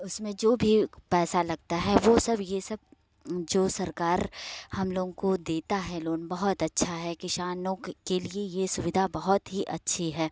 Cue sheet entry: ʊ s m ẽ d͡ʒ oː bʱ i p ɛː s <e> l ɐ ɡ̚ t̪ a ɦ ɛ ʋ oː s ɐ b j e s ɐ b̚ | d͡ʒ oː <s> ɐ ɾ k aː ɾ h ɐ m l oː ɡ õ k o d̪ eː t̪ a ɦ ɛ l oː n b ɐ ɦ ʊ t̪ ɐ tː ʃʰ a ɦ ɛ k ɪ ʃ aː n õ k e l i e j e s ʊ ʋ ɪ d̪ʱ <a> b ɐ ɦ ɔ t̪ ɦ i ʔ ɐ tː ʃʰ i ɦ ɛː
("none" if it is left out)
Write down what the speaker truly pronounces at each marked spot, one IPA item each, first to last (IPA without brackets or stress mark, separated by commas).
a, s, a